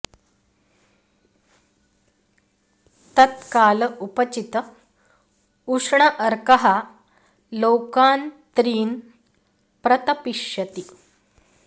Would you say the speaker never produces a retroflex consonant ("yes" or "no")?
no